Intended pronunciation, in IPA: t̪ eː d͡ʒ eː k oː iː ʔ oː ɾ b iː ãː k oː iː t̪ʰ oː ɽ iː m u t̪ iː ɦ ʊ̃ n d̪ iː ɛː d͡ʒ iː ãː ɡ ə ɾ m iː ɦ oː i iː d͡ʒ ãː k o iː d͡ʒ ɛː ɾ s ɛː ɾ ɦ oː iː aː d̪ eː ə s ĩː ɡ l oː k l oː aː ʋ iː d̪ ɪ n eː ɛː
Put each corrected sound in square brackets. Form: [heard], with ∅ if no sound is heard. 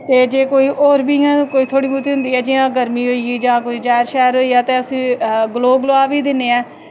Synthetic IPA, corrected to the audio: t̪ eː d͡ʒ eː k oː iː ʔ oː ɾ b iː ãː k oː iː t̪ʰ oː ɽ iː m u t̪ iː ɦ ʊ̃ n d̪ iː ɛː d͡ʒ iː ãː ɡ ə ɾ m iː ɦ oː i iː d͡ʒ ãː k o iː d͡ʒ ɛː ɾ [ʃ] ɛː ɾ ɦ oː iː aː [t̪] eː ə s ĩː ɡ l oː [ɡ] l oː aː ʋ iː d̪ ɪ n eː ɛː